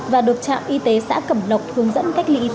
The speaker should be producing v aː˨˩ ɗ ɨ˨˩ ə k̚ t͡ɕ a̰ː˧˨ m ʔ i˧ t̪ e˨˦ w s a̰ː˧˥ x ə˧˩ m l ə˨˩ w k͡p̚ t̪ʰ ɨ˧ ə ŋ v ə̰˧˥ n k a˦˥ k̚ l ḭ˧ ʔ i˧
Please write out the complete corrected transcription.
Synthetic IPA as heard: v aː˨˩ ɗ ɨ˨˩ ə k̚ t͡ɕ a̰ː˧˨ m ʔ i˧ t̪ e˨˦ s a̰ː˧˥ k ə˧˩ m l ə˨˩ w k͡p̚ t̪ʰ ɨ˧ ə ŋ z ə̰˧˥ n k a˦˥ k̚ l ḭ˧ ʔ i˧